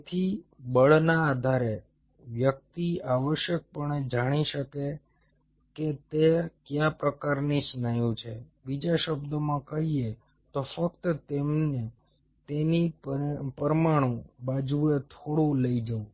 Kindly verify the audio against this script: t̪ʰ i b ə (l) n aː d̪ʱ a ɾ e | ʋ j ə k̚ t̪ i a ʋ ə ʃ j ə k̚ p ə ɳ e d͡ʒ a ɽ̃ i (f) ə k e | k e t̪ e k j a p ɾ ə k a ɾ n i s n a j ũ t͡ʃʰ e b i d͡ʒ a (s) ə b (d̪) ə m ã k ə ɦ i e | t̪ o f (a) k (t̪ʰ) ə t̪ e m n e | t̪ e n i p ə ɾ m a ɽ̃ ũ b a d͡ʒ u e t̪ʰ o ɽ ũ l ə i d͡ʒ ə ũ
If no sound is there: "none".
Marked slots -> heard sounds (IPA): ɭ, ʃ, ʃ, d̪, ə, t̪

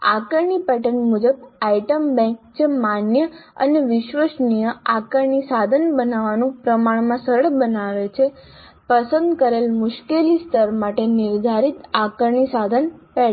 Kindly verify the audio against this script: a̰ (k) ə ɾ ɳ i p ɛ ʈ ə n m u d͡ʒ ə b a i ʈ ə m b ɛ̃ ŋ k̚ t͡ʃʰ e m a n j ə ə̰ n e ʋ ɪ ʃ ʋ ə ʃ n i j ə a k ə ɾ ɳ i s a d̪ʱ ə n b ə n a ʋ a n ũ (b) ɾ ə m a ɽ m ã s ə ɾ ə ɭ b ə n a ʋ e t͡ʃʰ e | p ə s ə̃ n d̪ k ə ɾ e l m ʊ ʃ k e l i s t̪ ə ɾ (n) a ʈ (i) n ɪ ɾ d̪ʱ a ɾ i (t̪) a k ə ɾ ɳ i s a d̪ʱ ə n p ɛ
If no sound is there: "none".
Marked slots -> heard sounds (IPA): k, p, m, e, t̪

